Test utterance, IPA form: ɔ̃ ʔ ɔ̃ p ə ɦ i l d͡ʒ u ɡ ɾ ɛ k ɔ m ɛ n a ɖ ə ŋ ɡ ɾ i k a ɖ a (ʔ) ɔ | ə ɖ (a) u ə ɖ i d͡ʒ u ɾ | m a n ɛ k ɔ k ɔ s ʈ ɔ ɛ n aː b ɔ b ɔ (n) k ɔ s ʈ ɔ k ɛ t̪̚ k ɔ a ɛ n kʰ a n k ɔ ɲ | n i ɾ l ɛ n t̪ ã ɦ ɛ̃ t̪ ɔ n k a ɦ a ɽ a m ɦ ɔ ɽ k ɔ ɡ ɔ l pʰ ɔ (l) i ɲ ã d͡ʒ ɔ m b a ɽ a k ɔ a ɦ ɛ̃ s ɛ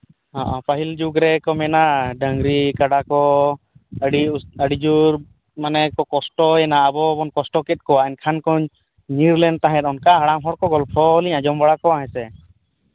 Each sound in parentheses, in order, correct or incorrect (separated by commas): incorrect, incorrect, correct, correct